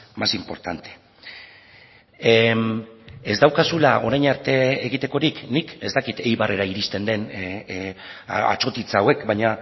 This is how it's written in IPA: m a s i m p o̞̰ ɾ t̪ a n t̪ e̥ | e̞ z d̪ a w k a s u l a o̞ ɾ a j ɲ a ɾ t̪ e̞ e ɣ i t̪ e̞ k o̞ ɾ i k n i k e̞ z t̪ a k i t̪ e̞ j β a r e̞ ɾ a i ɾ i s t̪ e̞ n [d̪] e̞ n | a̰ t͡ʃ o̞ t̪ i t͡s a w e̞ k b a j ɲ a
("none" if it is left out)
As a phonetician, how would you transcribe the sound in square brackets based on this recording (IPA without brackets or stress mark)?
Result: d̪